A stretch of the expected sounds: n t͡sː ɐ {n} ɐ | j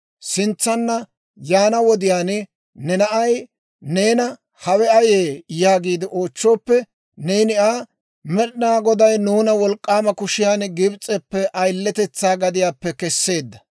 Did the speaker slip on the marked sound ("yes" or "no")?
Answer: yes